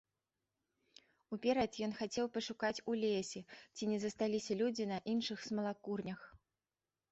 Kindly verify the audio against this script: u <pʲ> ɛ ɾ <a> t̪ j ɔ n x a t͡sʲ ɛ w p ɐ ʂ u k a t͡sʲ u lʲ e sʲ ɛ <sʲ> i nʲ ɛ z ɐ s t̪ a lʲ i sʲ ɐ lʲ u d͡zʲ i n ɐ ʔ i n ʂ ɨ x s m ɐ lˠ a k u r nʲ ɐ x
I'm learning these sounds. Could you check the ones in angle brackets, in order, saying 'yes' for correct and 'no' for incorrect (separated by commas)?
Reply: yes, no, no